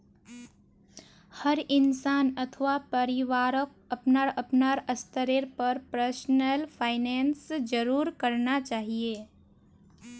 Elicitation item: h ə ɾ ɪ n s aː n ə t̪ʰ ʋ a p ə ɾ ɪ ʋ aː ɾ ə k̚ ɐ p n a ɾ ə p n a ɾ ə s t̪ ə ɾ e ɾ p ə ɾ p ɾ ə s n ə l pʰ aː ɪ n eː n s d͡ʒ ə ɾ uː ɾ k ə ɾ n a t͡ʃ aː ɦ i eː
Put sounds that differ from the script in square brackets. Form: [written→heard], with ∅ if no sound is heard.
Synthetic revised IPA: h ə ɾ ɪ n s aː n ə t̪ʰ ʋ a p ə ɾ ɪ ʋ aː ɾ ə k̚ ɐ p n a ɾ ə p n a ɾ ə s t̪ ə ɾ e ɾ p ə ɾ p ɾ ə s n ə l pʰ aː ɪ n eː n s d͡ʒ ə ɾ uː ɾ k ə ɾ n a t͡ʃ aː ɦ i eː